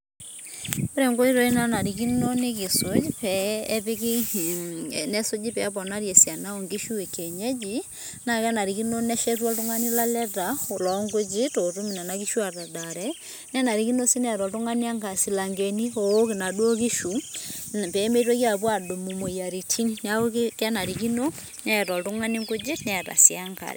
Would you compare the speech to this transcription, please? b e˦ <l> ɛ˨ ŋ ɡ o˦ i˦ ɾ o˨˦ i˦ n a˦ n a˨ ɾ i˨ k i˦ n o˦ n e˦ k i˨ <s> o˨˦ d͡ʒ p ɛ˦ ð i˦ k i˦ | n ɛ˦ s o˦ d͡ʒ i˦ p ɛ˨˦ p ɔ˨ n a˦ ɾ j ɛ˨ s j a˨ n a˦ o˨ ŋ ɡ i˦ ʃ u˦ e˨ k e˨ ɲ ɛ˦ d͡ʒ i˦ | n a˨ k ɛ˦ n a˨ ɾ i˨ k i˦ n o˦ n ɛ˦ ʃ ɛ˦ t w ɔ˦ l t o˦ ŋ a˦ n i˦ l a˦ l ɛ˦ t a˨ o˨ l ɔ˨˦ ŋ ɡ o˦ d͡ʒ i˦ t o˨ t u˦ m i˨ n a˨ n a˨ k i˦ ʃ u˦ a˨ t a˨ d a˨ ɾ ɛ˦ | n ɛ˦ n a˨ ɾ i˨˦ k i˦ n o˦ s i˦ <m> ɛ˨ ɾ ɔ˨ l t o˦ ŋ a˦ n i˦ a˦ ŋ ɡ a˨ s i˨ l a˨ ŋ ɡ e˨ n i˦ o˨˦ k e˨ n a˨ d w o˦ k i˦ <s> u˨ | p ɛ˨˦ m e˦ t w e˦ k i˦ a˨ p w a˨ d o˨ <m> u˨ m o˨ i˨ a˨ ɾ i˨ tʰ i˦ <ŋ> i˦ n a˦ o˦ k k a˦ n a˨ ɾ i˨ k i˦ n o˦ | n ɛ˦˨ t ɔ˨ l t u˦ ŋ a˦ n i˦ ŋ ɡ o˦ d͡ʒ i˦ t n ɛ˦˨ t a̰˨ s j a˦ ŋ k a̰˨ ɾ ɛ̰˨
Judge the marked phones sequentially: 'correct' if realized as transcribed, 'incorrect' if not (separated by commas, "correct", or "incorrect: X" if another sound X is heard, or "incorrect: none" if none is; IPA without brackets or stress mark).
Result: incorrect: ɾ, correct, incorrect: n, incorrect: ʃ, correct, incorrect: n